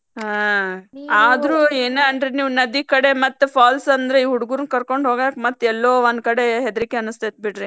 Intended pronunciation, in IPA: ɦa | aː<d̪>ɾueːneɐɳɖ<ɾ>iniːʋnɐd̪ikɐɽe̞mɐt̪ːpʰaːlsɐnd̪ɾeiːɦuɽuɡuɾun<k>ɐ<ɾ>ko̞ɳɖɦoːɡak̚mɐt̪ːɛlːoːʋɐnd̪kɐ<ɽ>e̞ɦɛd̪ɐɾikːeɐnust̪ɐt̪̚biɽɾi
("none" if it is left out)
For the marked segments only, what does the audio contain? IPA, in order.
d̪, ɾ, k, ɾ, ɽ

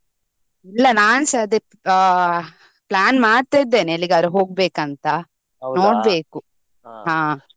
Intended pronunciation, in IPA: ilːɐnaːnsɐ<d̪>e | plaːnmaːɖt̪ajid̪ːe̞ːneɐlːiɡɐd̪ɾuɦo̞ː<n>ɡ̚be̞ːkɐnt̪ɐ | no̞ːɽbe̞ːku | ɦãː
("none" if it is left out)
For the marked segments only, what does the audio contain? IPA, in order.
d̪, none

